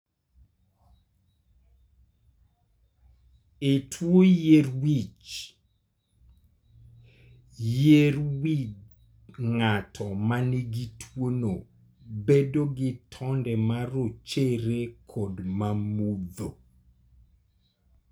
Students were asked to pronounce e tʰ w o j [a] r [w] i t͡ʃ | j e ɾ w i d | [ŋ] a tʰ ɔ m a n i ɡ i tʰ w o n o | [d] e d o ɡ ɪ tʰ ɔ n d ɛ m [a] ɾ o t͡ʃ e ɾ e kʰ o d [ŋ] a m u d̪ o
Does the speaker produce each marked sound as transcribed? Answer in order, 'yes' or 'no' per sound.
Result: no, yes, yes, no, yes, no

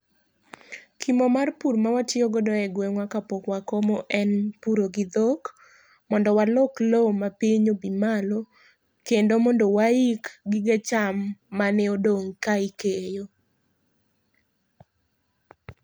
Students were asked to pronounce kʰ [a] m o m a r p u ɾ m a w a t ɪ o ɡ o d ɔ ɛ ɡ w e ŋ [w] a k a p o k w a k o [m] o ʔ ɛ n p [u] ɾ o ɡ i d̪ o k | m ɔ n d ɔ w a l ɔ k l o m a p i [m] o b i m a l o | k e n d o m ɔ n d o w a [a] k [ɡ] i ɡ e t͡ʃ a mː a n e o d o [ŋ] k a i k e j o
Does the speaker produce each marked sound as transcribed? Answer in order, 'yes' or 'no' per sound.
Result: no, yes, yes, yes, no, no, yes, yes

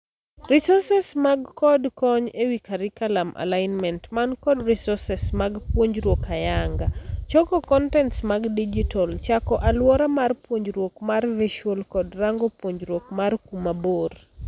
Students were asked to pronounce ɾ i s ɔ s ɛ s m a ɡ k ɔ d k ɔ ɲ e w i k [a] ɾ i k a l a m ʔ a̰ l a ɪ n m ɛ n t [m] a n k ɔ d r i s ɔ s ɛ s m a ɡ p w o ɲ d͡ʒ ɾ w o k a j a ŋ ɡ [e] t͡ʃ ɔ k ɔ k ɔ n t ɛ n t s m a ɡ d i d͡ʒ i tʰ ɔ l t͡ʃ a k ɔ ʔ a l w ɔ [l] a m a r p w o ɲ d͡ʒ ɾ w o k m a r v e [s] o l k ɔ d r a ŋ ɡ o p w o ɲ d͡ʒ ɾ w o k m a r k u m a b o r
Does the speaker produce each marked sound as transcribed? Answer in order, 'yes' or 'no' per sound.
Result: yes, yes, no, no, no

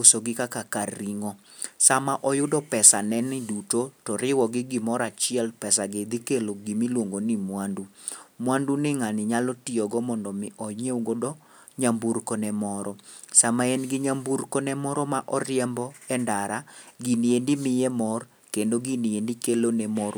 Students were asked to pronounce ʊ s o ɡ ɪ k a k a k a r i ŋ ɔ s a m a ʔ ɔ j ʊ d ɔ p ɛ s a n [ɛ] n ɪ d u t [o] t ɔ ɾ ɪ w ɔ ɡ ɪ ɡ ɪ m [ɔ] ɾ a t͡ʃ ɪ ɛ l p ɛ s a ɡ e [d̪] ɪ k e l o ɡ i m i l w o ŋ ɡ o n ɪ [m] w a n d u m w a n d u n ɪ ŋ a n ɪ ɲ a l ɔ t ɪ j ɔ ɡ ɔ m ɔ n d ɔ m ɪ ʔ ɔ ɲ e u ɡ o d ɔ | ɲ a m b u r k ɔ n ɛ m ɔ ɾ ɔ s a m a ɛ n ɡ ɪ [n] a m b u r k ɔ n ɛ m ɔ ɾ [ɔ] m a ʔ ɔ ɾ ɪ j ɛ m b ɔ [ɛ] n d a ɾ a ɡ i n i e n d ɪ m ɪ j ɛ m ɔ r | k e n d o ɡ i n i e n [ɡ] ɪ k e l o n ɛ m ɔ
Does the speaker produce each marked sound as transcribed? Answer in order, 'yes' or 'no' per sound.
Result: yes, yes, yes, yes, yes, no, yes, yes, no

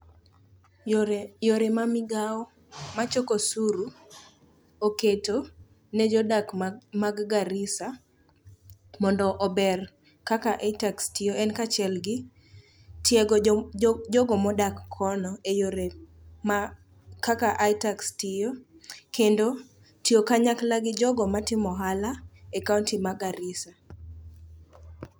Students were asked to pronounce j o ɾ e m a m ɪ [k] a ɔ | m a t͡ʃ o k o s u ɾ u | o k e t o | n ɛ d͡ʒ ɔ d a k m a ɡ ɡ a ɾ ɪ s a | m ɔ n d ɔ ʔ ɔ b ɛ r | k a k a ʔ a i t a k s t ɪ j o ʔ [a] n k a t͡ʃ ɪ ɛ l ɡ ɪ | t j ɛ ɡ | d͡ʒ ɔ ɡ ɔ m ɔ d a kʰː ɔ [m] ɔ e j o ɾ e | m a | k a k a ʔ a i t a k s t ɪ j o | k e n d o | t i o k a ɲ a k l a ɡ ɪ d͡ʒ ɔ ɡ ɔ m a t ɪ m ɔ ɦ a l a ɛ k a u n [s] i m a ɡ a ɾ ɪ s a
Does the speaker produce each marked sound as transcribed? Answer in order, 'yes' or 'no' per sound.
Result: no, no, no, no

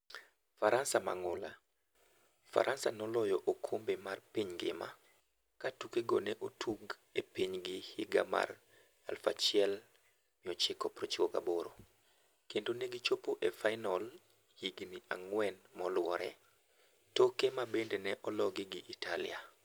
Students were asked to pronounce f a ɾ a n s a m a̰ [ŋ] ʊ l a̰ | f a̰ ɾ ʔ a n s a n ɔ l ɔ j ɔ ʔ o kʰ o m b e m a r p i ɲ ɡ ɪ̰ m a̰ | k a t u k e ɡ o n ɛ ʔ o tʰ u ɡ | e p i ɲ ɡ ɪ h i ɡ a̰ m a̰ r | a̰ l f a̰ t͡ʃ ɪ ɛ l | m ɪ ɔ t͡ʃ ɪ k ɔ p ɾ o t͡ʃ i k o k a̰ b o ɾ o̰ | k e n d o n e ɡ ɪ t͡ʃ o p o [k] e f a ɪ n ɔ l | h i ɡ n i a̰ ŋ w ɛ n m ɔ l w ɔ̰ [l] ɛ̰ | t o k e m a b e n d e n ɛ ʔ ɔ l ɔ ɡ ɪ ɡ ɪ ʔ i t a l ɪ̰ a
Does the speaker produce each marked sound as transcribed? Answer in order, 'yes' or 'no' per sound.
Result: yes, no, no

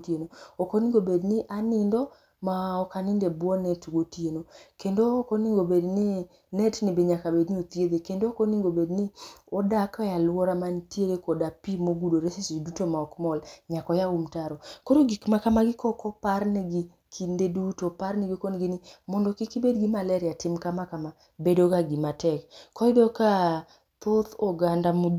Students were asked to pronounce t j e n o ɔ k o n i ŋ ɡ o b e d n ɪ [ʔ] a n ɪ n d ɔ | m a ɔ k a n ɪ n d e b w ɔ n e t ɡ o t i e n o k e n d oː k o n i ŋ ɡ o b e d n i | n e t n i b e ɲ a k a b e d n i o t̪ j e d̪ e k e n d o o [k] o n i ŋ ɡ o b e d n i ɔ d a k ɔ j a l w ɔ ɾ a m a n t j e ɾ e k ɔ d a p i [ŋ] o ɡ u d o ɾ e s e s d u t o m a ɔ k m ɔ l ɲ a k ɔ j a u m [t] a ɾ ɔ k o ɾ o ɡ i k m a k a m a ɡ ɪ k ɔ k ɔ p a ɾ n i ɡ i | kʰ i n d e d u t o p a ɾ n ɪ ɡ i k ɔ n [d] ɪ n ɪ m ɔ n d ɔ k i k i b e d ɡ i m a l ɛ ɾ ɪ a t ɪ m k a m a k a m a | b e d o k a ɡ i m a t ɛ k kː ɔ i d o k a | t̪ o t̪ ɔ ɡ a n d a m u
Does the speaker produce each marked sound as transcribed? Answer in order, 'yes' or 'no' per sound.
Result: yes, yes, no, yes, no

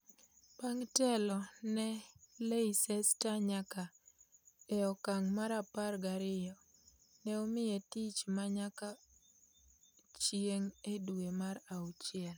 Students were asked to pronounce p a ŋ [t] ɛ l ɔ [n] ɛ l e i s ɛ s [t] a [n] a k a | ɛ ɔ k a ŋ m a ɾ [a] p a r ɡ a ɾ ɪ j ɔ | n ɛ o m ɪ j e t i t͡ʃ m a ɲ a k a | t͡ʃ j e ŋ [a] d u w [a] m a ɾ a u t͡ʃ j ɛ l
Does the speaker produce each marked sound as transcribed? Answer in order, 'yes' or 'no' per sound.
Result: yes, yes, yes, no, yes, no, no

